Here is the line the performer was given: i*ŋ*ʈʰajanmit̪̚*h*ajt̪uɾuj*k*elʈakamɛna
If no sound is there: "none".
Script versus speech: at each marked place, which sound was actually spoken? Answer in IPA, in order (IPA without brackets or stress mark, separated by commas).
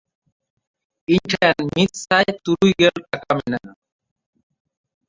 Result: ɲ, s, ɡ